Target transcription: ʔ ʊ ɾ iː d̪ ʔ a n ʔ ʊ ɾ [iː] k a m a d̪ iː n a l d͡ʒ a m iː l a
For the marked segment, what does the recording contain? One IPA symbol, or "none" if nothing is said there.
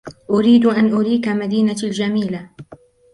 iː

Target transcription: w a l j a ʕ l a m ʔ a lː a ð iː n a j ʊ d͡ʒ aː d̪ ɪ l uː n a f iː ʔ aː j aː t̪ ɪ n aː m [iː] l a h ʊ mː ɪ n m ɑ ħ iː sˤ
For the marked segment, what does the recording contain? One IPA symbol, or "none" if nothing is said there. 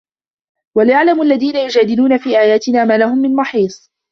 aː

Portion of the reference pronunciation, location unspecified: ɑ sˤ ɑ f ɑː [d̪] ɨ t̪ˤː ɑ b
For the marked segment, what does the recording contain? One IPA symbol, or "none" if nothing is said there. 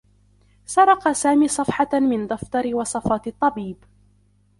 t̪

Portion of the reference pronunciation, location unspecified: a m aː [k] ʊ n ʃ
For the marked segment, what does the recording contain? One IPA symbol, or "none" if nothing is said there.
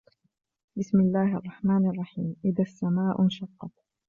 ʔ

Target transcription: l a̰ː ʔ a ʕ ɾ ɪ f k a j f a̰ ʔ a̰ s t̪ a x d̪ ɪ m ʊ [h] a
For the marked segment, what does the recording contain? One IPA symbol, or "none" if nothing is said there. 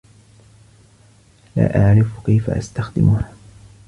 h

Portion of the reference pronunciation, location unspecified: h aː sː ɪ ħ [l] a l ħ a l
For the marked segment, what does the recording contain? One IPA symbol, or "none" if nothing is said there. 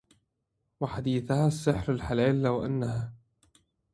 ɾ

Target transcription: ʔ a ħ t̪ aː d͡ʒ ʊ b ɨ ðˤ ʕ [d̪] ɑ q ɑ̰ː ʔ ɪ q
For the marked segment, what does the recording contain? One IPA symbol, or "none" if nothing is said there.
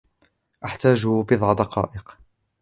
d̪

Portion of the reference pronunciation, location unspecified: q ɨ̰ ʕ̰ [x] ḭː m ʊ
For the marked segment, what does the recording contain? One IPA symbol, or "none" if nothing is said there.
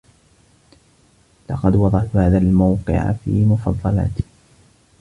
f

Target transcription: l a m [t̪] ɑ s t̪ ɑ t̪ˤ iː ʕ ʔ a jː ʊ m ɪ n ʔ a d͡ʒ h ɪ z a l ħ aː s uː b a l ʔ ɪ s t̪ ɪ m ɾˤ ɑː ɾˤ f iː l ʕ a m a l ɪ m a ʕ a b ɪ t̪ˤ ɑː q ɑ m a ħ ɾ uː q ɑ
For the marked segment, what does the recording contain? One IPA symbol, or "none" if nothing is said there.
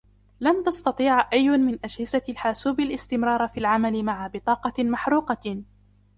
t̪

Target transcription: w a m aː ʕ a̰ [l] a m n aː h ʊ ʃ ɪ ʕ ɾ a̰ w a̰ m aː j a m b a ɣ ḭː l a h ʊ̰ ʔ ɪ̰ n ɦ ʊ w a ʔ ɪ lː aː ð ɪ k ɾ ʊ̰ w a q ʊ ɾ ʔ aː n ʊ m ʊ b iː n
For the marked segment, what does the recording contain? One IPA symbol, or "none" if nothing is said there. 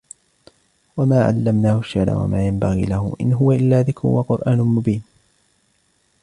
lː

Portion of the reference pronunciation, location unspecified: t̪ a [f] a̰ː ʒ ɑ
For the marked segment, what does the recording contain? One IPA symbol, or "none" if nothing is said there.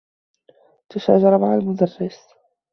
ʃ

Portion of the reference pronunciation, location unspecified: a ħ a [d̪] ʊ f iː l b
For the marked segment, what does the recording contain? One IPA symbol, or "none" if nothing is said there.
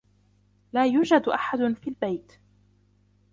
d̪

